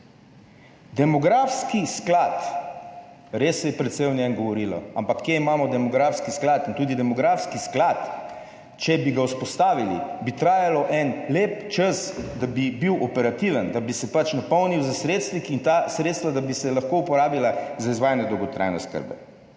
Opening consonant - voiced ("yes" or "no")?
yes